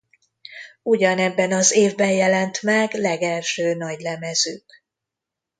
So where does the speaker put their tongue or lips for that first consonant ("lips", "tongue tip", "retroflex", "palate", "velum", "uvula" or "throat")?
palate